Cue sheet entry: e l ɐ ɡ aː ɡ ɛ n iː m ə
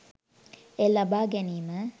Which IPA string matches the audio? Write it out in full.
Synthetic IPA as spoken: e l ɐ b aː ɡ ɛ n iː m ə